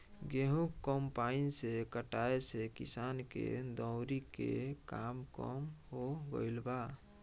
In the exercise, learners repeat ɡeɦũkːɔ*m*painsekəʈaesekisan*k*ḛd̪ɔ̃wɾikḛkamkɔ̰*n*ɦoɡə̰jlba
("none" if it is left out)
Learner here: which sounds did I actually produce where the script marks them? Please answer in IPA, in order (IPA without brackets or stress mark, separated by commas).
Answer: m, k, m